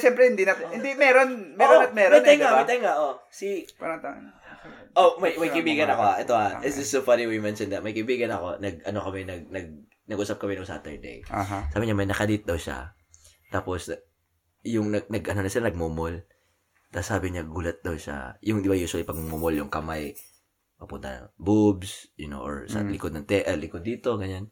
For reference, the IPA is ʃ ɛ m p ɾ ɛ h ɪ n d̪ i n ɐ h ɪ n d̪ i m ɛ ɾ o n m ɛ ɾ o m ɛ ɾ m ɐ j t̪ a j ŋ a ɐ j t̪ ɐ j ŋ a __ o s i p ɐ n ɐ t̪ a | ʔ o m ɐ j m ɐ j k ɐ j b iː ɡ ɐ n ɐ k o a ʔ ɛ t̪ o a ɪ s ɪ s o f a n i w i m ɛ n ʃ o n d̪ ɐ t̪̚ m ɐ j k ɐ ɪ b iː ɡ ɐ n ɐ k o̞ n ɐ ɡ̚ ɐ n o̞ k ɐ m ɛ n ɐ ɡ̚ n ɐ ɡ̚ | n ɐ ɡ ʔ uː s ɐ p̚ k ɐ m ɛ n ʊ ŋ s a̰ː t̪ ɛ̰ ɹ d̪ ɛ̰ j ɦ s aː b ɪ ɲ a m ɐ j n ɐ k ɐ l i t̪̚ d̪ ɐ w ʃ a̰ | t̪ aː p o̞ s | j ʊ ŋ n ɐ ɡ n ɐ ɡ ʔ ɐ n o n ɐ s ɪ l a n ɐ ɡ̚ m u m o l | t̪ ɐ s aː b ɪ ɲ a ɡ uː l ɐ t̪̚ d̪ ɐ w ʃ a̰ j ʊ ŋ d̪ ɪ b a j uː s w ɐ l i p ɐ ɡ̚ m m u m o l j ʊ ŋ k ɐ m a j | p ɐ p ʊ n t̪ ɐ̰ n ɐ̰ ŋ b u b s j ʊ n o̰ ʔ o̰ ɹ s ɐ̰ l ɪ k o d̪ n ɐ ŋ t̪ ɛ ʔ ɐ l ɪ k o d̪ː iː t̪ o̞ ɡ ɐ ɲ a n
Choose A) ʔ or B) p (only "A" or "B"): A